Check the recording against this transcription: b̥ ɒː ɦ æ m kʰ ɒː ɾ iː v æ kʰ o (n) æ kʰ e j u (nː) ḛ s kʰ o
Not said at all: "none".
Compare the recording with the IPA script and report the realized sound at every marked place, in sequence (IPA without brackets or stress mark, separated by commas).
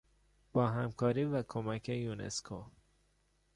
m, n